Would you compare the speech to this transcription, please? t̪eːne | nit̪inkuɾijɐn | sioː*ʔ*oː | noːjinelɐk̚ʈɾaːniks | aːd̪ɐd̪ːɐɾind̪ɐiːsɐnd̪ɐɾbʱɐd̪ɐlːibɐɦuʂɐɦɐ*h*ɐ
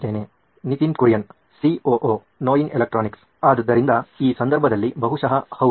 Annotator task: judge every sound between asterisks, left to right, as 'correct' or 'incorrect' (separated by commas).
correct, correct